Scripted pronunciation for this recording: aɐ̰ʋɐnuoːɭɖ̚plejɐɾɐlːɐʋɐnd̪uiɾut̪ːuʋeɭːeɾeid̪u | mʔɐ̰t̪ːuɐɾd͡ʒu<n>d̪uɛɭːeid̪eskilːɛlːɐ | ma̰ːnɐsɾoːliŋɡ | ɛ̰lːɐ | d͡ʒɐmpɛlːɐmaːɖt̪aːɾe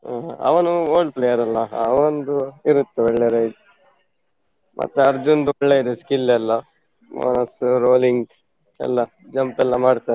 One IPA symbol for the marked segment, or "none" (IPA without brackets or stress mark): n